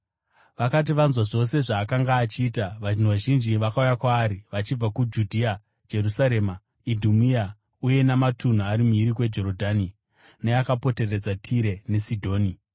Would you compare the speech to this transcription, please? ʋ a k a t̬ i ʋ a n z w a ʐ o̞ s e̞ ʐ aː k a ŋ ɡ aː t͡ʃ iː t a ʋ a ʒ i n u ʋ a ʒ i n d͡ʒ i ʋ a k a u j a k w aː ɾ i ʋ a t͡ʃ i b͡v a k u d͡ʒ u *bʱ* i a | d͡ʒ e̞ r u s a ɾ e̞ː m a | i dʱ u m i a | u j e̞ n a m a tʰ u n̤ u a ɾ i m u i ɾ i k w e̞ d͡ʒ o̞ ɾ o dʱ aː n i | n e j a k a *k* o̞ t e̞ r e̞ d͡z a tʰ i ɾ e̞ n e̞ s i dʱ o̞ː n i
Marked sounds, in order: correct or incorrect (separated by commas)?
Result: incorrect, incorrect